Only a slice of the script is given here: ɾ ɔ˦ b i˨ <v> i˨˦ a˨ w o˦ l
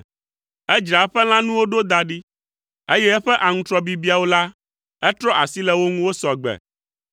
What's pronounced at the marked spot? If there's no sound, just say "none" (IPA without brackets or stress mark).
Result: b